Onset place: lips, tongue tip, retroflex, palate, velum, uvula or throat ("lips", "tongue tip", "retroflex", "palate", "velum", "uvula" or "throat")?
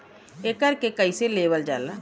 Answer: velum